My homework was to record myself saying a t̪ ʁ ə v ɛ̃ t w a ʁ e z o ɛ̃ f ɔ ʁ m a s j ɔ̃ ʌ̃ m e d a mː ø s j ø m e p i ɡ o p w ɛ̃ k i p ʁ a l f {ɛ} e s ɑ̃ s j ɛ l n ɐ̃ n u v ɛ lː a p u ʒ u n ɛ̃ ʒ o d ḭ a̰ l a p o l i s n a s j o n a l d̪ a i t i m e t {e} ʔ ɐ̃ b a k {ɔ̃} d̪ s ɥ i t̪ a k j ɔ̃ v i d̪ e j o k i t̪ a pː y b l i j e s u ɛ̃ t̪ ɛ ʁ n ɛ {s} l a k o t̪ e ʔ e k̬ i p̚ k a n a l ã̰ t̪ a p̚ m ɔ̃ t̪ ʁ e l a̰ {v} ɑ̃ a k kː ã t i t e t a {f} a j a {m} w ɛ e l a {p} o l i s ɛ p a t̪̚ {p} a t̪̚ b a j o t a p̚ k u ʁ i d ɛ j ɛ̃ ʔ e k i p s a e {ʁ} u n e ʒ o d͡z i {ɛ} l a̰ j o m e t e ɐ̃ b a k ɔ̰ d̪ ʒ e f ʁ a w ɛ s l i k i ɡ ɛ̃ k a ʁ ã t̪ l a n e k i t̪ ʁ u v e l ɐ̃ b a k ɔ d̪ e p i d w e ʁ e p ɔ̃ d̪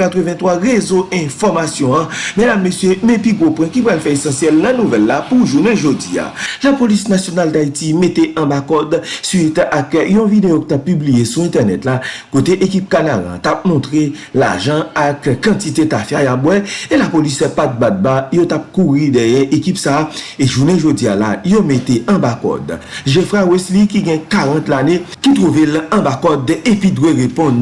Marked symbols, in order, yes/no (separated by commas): yes, yes, no, no, no, yes, no, yes, no, no, no